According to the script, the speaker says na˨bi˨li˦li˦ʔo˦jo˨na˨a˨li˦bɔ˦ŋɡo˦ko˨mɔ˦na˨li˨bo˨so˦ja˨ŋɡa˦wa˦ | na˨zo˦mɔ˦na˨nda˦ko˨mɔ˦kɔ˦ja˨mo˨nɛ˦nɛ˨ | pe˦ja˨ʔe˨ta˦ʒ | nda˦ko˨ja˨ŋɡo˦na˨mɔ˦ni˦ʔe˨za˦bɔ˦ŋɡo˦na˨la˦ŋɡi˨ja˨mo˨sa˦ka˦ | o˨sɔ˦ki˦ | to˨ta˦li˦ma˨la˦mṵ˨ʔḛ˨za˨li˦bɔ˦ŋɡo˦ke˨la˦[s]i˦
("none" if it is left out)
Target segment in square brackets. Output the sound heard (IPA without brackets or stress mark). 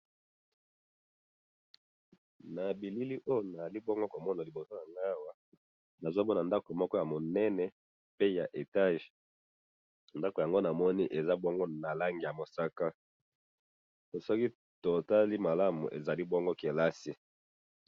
s